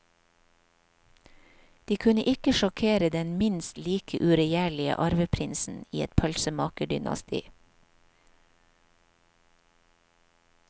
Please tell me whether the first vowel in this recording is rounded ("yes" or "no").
no